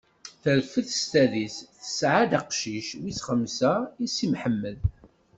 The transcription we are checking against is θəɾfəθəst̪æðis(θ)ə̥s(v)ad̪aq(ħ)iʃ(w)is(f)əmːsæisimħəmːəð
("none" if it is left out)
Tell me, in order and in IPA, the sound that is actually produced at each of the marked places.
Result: θ, ʕ, ʃ, w, χ

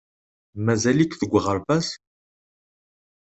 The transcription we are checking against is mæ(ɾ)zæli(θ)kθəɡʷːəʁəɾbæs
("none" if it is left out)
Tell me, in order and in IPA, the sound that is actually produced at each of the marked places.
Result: none, none

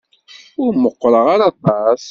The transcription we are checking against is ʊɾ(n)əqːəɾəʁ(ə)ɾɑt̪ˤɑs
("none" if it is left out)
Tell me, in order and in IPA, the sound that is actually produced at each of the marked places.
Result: m, a

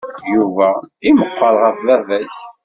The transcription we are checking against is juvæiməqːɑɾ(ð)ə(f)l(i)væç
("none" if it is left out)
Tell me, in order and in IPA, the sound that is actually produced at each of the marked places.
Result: ʁ, f, æ

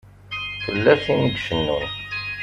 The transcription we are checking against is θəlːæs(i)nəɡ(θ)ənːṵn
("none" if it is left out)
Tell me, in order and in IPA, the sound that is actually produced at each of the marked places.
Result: i, ʃ

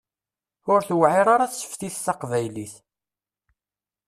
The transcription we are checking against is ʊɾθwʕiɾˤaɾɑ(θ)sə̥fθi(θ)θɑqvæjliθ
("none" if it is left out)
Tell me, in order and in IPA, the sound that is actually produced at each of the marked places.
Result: θ, θ

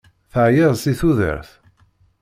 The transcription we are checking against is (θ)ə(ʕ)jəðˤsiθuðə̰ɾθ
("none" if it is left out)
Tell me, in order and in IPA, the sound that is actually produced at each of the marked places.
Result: θ, ʕ

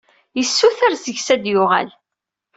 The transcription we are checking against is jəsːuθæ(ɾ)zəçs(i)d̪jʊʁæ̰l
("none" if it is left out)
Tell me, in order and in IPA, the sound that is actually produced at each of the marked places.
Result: ɾ, æ

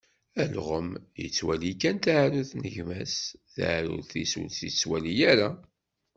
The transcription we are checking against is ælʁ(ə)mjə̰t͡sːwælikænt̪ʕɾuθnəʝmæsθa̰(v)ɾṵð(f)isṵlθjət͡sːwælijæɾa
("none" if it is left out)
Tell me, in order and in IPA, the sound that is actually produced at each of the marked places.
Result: ə, ʕ, θ

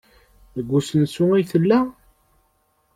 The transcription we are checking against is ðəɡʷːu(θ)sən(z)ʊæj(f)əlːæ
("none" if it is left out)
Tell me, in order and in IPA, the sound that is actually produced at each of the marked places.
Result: none, s, θ

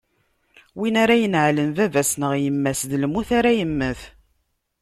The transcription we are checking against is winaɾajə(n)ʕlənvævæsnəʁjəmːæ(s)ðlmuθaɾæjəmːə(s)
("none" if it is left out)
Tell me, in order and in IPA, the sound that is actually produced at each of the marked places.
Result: n, s, θ

